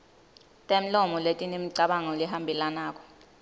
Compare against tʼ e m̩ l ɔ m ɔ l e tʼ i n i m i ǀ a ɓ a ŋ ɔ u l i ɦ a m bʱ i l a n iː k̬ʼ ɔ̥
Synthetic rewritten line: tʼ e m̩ l ɔ m ɔ l e tʼ i n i m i ǀ a ɓ a ŋ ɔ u l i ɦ a m bʱ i l a n aː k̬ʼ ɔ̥